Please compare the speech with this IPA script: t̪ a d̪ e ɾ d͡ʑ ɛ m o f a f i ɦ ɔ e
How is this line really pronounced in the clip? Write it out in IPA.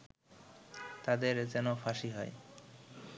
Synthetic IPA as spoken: t̪ a d̪ e ɾ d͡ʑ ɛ n o f a ʃ i ɦ ɔ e